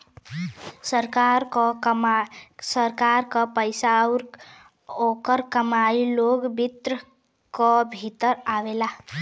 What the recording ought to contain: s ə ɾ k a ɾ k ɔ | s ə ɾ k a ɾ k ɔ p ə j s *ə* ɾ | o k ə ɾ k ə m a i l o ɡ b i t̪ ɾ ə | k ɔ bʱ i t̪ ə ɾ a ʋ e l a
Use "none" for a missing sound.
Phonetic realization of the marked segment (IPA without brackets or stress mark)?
a